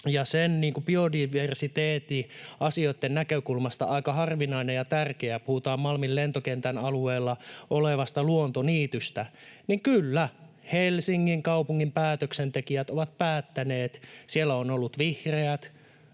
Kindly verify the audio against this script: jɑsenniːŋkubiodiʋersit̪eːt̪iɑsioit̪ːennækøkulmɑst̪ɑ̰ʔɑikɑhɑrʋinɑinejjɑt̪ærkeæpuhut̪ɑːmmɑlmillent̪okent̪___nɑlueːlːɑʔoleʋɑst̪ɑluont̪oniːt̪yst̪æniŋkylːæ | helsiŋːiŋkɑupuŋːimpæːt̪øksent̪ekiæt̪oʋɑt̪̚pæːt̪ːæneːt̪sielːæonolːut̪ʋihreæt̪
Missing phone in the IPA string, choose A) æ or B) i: A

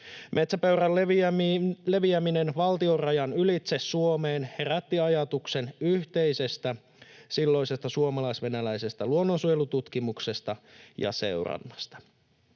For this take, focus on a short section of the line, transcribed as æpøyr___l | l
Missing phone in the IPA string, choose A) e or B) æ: B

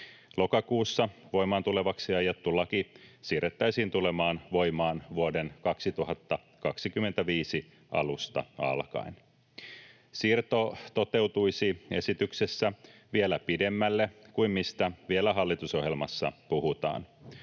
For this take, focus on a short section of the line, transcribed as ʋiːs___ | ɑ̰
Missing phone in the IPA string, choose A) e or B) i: B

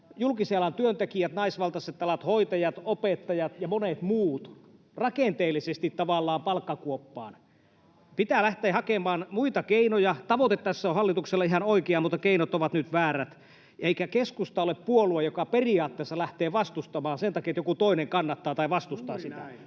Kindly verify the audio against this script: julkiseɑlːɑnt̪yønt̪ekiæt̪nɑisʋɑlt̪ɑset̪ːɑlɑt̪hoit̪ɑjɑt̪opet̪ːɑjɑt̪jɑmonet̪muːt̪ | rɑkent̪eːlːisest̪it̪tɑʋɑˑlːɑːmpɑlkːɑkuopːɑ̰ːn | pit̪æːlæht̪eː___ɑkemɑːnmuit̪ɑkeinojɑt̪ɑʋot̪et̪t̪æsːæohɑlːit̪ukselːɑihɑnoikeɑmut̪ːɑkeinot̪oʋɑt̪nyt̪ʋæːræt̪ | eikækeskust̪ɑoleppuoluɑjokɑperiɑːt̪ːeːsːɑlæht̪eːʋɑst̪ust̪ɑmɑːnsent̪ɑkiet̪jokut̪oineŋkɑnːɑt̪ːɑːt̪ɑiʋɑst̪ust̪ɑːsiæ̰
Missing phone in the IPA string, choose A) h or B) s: A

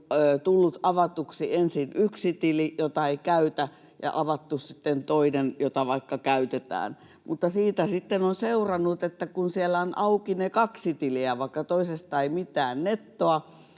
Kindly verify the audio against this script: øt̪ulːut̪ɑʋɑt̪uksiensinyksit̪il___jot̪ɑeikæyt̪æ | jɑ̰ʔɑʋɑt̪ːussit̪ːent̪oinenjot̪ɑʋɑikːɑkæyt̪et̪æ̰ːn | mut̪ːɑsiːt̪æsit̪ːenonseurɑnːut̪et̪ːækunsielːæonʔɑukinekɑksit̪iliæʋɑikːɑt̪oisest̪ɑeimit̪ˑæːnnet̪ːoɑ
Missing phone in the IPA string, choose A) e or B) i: B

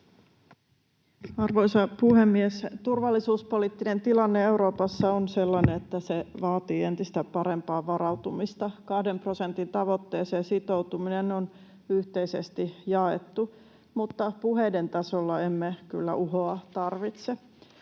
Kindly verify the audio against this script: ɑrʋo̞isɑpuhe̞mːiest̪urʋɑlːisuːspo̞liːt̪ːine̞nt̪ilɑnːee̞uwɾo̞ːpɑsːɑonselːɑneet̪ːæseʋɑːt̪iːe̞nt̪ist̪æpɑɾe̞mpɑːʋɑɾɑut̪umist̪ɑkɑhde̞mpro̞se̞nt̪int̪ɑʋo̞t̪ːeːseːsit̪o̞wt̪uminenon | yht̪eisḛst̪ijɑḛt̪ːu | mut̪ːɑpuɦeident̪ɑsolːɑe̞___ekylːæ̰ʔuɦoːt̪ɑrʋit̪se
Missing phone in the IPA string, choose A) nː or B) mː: B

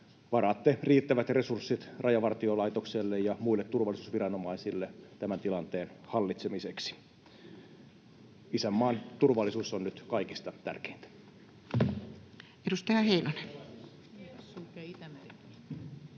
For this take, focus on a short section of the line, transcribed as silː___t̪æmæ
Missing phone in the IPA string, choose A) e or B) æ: A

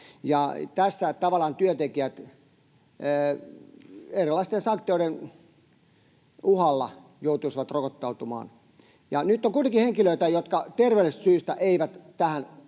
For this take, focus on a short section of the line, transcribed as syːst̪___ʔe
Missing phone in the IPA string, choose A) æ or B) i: A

